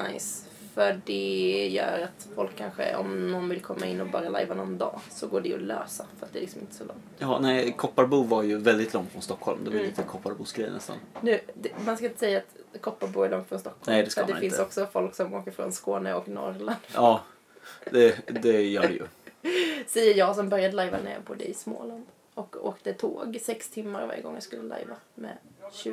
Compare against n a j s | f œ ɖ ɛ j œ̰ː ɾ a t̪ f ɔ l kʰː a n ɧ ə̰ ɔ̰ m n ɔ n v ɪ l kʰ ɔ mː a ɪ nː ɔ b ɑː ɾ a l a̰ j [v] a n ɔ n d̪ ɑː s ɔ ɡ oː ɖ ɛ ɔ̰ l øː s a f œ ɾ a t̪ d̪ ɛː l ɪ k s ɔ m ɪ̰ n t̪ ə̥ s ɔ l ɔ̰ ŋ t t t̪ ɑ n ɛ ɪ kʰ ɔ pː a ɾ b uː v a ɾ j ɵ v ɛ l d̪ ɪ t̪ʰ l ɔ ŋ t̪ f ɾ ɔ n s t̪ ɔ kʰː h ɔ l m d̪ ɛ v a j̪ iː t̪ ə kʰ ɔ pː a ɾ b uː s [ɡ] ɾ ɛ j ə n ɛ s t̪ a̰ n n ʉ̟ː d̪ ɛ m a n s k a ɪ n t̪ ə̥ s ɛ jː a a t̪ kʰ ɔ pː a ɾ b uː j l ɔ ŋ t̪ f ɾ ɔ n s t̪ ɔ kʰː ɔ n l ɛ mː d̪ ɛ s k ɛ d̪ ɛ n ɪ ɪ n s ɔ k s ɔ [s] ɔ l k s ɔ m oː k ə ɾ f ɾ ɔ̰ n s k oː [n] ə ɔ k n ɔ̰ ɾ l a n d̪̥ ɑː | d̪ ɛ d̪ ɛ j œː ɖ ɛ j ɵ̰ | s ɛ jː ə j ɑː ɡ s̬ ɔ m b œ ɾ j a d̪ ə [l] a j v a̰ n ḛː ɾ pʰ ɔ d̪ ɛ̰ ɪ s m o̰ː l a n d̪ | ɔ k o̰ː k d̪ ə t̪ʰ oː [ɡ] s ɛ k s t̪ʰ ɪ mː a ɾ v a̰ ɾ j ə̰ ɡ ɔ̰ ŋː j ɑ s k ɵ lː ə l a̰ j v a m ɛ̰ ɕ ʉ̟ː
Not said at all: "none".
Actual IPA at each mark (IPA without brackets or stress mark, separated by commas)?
v, ɡ, f, n, l, ɡ